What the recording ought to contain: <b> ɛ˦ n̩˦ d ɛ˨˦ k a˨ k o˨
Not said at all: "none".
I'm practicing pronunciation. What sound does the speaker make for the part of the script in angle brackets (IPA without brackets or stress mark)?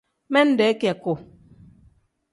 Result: m